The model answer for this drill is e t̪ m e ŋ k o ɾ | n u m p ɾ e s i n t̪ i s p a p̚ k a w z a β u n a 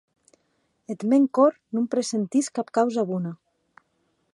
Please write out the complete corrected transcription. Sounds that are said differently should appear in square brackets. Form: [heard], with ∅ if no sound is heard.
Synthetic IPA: e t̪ m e ŋ k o ɾ | n u m p ɾ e s [e] n t̪ i s [k] a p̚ k a w z a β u n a